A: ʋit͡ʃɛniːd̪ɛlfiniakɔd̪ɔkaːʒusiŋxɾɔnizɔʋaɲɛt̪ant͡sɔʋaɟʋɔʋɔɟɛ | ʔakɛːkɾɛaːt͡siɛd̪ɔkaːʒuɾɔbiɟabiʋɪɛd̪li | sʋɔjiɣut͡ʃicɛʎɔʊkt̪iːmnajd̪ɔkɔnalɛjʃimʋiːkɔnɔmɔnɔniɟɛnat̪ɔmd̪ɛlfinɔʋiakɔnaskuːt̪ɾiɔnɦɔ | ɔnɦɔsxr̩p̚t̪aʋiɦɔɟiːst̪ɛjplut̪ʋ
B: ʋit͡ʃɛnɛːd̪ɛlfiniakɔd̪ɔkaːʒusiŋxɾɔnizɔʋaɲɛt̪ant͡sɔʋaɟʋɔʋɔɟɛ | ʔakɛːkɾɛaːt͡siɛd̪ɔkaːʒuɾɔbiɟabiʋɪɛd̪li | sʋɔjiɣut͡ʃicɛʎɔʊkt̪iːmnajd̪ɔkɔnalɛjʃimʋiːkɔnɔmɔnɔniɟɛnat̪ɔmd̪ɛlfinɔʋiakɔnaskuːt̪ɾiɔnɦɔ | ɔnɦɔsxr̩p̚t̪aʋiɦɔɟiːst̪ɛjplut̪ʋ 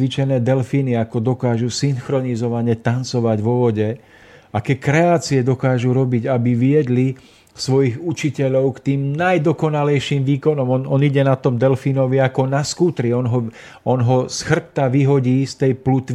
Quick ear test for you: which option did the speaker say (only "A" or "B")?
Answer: B